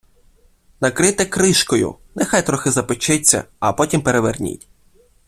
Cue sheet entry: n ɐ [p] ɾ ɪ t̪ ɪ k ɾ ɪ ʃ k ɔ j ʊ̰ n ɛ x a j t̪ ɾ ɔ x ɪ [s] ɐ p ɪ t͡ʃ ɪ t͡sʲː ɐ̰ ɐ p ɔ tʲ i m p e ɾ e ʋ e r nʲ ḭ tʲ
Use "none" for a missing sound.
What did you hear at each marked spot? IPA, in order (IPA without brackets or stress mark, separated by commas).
k, z